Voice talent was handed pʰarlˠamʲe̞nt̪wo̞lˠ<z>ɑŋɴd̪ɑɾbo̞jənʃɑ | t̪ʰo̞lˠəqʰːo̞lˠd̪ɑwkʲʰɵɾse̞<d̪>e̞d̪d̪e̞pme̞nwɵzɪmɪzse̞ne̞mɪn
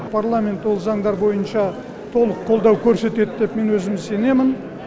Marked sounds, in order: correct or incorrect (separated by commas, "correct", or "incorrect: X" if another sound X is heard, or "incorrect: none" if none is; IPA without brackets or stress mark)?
correct, incorrect: t̪